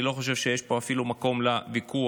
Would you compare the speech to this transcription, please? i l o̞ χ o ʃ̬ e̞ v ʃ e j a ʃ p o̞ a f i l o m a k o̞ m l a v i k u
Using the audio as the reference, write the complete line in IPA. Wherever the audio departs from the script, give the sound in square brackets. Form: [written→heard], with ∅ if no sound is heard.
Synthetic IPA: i l o̞ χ o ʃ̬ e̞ v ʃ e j [a→e] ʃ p o̞ a f i l [o→u] m a k o̞ m l a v i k u